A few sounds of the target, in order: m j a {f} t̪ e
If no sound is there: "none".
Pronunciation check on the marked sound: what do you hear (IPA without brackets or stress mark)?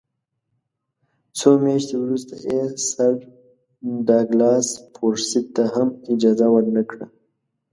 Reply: ʃ